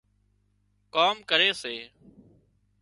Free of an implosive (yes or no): yes